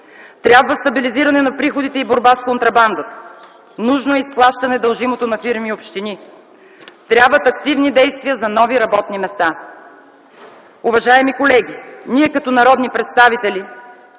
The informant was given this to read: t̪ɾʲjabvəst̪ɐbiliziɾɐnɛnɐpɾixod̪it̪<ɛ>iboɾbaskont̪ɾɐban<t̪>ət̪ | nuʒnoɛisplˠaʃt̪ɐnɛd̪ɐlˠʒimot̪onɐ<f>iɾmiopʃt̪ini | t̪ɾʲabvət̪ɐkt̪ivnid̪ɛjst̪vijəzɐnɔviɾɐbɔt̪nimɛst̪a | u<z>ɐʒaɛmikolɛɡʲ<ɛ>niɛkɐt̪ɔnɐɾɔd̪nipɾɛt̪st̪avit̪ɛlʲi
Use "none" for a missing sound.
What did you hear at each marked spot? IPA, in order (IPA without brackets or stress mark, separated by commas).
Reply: ɛ, d̪, f, v, i